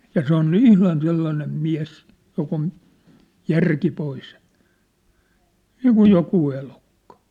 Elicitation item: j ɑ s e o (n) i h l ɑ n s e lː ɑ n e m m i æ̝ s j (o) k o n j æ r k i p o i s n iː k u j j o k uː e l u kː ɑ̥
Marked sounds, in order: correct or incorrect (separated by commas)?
correct, correct